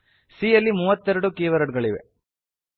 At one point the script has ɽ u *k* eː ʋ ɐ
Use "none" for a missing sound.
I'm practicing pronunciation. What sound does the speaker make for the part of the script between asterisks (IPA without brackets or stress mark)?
k